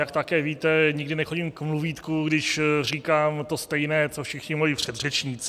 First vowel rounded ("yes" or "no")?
no